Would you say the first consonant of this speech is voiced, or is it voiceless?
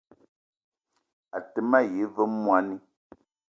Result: voiceless